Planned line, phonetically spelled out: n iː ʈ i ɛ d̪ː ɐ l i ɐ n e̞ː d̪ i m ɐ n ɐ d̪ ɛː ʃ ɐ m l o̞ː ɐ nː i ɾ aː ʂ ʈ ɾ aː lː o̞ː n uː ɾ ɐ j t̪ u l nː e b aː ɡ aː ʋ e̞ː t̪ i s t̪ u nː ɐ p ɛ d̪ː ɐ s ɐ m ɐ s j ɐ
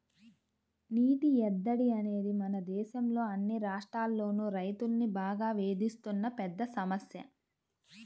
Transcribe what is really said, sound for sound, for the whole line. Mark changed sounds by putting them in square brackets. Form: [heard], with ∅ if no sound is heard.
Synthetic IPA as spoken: n iː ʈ i ɛ d̪ː ɐ [ɽ] i ɐ n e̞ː d̪ i m ɐ n ɐ d̪ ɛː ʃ ɐ m l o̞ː ɐ nː i ɾ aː ʂ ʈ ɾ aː lː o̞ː n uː ɾ ɐ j t̪ u l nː [i] b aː ɡ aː ʋ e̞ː [d̪] i s t̪ u nː ɐ p ɛ d̪ː ɐ s ɐ m ɐ s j ɐ